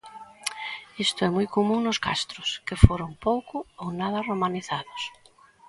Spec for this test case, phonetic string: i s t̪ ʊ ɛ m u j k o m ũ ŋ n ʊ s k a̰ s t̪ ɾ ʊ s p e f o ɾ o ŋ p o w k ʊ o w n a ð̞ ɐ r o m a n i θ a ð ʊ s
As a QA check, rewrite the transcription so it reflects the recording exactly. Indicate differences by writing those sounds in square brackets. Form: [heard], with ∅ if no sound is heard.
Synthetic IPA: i s t̪ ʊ ɛ m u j k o m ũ ŋ n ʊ s k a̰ s t̪ ɾ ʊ s [k] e f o ɾ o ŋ p o w k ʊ o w n a ð̞ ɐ r o m a n i θ a ð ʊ s